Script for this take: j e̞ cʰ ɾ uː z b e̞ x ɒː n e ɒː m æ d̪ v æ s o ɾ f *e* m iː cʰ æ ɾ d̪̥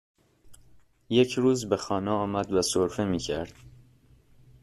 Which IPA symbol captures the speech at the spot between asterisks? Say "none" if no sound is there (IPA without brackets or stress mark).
e